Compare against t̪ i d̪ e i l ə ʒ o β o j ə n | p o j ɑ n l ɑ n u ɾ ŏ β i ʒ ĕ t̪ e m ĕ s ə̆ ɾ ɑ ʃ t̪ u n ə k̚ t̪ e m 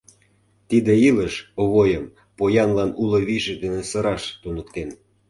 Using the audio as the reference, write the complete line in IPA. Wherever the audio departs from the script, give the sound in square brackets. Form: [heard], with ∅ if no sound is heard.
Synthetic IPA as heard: t̪ i d̪ e i l ə [ʃ] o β o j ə [m] | p o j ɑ n l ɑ n u [l] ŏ β i ʒ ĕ [d̪] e [n] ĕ s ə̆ ɾ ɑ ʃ t̪ u n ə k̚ t̪ e [n]